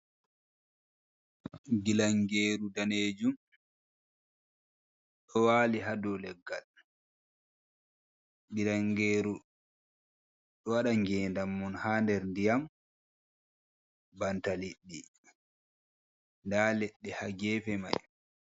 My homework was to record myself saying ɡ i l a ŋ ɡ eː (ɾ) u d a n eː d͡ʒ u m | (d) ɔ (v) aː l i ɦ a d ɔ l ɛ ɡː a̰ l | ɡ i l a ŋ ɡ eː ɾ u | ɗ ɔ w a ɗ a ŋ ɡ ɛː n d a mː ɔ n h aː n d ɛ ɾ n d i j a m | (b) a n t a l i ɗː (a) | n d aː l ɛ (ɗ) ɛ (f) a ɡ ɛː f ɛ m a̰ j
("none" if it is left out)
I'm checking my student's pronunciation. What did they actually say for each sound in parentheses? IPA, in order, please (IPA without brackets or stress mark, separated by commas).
ɾ, ɗ, w, b, i, ɗː, h